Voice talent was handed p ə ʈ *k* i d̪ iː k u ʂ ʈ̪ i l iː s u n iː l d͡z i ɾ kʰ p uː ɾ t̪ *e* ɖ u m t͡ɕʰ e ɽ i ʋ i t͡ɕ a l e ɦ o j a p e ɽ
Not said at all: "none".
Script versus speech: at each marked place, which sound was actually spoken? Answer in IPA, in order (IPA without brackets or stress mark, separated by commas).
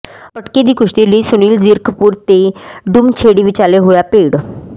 k, e